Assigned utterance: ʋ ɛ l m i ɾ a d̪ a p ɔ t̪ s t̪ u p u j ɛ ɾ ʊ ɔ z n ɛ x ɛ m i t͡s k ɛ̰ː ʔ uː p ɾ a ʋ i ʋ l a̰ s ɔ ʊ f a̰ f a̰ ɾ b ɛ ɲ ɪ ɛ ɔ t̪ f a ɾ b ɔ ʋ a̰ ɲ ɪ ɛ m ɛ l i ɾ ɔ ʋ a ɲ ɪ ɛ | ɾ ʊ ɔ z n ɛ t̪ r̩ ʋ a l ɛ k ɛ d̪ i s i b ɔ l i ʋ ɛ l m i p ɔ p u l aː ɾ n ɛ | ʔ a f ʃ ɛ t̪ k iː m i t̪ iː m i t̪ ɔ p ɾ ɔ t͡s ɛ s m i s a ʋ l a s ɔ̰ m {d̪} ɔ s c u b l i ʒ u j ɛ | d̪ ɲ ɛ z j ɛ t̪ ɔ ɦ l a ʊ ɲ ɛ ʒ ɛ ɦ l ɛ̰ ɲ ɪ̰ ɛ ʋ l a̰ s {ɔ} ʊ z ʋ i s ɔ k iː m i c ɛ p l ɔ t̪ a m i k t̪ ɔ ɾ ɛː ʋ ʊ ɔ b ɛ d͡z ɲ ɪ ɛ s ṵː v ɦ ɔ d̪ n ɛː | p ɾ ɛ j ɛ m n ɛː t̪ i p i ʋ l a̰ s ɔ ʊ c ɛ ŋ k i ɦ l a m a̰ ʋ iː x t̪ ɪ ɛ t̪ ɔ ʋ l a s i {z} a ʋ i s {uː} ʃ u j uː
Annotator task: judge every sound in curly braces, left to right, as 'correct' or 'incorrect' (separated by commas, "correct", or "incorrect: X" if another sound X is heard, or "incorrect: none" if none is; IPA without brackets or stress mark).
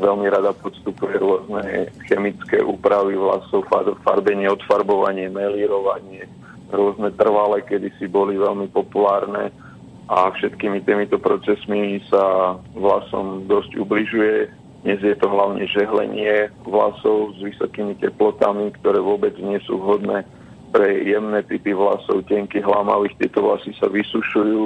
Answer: correct, correct, incorrect: s, incorrect: u